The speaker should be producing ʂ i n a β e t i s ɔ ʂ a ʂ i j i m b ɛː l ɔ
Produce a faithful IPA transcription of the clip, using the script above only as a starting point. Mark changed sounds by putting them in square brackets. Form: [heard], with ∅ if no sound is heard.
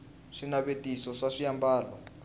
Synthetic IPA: ʂ i n a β e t i s ɔ ʂ a ʂ i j [a] m b [aː] l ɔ